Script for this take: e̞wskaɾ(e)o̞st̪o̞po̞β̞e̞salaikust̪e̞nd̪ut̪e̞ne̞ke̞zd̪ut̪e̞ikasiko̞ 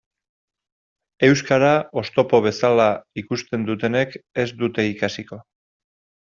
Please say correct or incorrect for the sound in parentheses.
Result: incorrect